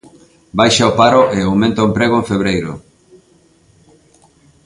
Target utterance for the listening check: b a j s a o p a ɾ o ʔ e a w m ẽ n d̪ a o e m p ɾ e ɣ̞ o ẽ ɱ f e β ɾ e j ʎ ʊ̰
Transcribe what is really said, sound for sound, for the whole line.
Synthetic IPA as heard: b a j ʃ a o p a ɾ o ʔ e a w m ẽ n t̪ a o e m p ɾ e ɣ̞ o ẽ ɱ f e β ɾ e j ɾ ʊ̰